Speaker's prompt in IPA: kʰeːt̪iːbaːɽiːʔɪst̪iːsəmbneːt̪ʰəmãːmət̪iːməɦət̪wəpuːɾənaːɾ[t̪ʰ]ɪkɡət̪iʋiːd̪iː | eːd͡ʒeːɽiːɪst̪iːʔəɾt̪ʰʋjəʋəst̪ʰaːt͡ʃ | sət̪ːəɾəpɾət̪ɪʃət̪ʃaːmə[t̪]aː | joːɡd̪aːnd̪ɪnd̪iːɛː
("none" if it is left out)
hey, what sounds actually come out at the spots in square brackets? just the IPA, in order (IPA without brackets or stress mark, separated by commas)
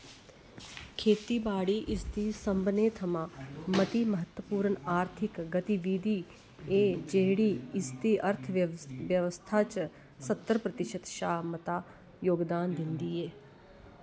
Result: t̪ʰ, t̪